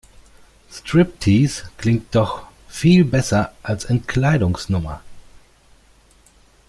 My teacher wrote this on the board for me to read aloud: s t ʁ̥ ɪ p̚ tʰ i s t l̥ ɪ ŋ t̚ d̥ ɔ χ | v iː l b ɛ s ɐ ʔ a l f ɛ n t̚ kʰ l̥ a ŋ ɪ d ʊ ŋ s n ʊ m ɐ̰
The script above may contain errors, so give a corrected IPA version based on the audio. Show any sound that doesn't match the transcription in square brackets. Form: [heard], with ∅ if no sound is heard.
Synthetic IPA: s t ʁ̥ ɪ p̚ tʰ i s [k] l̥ ɪ ŋ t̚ d̥ ɔ χ | [f] iː l b ɛ s ɐ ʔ a l [s] ɛ n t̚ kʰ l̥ a [∅] ɪ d ʊ ŋ s n ʊ m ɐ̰